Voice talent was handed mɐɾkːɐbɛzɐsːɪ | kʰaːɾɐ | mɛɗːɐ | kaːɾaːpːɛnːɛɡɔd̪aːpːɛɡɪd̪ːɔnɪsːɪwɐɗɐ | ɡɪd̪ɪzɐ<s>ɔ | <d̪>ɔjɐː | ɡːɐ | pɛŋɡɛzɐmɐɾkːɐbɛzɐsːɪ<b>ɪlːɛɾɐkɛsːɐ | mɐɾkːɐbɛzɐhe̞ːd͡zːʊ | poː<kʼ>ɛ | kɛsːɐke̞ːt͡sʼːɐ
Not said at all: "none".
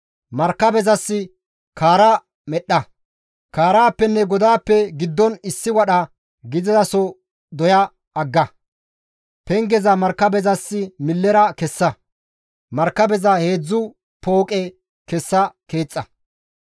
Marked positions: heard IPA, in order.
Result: s, d̪, m, kʼ

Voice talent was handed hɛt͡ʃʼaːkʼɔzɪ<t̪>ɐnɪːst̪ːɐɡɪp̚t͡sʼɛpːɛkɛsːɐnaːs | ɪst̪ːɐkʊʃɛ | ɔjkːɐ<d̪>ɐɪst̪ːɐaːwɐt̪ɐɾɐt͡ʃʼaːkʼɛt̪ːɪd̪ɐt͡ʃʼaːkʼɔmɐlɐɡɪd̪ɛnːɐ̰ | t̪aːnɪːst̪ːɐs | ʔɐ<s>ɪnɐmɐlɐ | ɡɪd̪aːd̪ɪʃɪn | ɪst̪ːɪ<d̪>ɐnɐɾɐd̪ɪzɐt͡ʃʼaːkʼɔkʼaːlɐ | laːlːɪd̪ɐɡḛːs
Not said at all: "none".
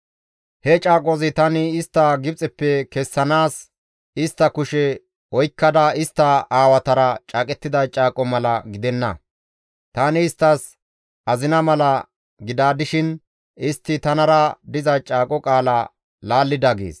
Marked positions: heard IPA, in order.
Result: t̪, d̪, z, t̪

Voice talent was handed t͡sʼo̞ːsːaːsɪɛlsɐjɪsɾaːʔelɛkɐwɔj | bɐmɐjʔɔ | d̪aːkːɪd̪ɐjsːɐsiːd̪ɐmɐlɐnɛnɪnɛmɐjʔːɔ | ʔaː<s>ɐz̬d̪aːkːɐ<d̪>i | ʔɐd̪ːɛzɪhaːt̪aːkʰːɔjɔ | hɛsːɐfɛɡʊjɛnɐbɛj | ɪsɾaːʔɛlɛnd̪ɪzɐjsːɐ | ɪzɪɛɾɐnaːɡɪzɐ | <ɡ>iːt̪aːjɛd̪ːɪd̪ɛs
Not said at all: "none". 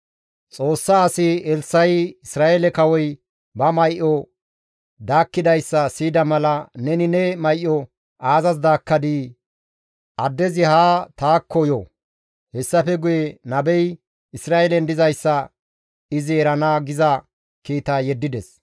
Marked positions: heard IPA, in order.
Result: z, d̪, k

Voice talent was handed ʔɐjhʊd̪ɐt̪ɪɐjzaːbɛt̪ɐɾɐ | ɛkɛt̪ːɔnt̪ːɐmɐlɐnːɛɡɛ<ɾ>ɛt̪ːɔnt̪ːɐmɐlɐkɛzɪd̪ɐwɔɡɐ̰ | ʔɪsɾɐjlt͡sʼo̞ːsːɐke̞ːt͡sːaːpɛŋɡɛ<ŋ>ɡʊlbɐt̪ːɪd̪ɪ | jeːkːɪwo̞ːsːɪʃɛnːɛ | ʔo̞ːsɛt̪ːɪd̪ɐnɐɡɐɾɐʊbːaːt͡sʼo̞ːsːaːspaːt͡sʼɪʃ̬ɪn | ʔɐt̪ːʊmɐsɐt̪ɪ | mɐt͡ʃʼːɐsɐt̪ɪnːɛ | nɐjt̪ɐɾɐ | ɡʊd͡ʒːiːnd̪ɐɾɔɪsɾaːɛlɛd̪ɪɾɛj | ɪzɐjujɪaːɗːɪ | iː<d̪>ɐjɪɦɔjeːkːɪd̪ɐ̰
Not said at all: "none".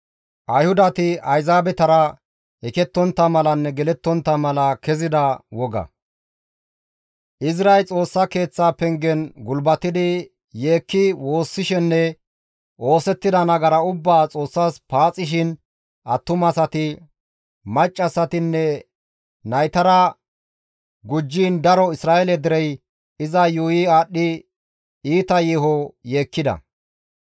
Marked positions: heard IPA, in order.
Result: l, n, t̪

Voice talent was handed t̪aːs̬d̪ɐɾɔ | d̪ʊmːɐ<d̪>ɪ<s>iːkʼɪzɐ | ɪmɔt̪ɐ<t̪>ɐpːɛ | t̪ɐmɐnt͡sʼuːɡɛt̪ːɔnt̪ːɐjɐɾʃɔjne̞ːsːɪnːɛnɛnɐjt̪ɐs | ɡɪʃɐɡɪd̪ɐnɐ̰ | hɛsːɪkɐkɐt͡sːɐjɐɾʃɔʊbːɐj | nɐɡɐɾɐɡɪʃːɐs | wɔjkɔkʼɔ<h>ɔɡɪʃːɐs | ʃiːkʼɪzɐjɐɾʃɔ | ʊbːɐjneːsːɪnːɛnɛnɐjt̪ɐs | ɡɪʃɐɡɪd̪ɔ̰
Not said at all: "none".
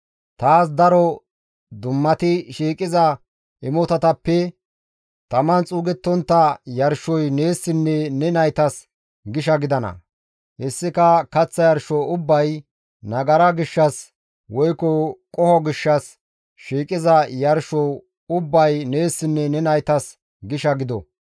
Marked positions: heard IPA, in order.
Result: t̪, ʃ, t̪, h

